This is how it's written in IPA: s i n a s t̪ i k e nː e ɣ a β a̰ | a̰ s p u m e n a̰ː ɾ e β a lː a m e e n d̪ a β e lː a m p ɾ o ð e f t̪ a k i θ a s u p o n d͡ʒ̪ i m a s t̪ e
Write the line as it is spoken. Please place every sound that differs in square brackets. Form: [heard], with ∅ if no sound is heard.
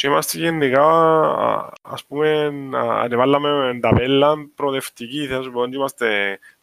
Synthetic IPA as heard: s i [m] a s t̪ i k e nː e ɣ a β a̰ | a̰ s p u m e n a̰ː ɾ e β a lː a m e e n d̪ a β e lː a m p ɾ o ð e f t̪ [i] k i θ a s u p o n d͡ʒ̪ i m a s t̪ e